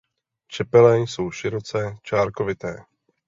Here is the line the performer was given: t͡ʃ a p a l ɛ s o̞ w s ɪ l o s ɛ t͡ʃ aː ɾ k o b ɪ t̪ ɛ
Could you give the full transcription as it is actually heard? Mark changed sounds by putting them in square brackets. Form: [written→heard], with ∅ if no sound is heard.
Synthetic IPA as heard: t͡ʃ [a→ɛ] p [a→ɛ] l ɛ s o̞ w [s→ʃ] ɪ [l→ɾ] o [s→t͡s] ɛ t͡ʃ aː ɾ k o [b→v] ɪ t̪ [ɛ→ɛː]